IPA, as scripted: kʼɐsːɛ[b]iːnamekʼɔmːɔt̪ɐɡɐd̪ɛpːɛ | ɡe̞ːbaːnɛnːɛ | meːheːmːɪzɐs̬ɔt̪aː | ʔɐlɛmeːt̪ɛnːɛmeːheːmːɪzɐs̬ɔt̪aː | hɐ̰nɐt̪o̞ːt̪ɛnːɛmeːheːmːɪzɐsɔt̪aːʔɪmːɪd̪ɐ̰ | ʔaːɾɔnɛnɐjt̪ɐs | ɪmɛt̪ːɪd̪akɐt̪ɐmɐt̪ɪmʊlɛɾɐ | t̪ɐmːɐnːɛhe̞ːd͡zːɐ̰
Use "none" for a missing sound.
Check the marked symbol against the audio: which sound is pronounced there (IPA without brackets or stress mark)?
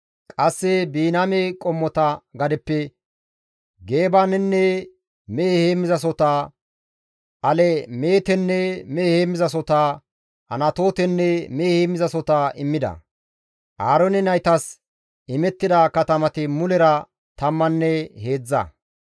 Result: b